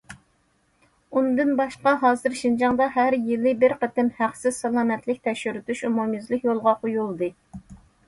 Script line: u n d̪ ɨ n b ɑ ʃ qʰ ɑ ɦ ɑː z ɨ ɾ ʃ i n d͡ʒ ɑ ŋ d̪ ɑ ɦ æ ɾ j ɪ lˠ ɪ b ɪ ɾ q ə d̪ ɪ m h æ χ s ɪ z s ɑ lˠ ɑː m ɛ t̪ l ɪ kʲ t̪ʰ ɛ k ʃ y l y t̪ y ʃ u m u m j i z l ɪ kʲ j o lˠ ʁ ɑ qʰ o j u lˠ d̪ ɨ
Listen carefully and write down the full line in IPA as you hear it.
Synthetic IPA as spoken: u n d̪ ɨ n b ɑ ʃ q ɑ ɦ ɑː z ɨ ɾ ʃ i n d͡ʒ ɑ ŋ d̪ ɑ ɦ æ ɾ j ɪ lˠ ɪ b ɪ ɾ q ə t̪ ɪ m h æ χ s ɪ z s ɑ lˠ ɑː m ɛ t̪ l ɪ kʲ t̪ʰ ɛ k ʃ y ɾ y t̪ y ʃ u m u m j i z l ɪ kʲ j o lˠ ʁ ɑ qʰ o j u lˠ d̪ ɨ